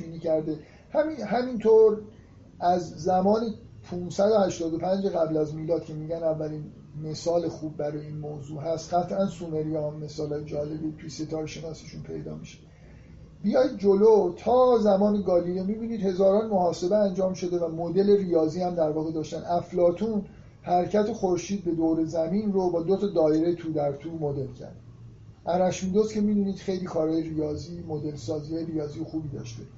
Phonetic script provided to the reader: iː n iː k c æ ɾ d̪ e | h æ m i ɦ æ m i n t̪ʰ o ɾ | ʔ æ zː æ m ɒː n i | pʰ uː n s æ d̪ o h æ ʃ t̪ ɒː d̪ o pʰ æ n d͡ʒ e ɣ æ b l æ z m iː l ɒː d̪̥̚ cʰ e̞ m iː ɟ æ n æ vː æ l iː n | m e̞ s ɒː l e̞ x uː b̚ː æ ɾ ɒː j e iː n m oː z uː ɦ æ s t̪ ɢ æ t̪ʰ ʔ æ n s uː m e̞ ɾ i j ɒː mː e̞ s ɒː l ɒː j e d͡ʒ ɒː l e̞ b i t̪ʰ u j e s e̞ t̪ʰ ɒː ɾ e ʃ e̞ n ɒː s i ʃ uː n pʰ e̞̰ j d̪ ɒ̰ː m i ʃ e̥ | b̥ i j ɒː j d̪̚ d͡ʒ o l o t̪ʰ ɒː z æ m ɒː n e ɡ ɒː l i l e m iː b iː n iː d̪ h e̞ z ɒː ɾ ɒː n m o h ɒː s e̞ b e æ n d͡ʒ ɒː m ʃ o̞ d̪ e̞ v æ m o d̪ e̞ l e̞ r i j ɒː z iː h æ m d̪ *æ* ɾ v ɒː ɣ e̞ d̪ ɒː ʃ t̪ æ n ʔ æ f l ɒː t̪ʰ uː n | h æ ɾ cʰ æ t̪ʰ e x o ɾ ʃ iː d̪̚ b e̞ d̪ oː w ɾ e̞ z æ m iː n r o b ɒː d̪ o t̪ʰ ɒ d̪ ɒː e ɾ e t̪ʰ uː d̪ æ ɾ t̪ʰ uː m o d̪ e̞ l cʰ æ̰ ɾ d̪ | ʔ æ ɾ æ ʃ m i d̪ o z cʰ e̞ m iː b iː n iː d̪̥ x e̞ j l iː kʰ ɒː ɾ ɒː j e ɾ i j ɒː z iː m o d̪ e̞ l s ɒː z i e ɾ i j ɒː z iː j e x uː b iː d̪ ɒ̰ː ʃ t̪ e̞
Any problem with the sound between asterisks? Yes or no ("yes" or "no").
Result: no